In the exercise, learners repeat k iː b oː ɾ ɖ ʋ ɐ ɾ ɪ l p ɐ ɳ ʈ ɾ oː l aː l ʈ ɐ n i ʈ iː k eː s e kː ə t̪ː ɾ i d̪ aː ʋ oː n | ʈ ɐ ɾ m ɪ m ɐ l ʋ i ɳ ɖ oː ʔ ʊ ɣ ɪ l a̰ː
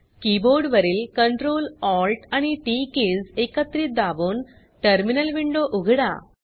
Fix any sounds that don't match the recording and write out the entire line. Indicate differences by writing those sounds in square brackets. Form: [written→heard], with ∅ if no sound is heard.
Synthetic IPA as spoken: k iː b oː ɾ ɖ ʋ ɐ ɾ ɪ l [p→k] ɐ ɳ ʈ ɾ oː l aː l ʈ ɐ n i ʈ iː k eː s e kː [ə→ɐ] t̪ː ɾ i d̪ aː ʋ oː n | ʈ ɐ ɾ m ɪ [m→n] ɐ l ʋ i ɳ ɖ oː ʔ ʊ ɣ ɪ [l→ɽ] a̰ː